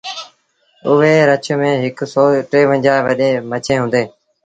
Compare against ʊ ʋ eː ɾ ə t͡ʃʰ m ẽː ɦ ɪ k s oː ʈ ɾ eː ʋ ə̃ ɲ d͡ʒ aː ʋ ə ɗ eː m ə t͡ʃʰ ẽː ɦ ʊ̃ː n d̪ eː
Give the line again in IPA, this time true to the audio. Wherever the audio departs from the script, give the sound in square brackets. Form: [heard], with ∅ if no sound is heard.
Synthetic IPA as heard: ʊ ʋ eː ɾ ə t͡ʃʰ m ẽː ɦ ɪ k s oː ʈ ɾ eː ʋ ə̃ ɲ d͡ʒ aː ʋ ə ɗ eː m ə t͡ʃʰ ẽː ɦ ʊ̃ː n d̪ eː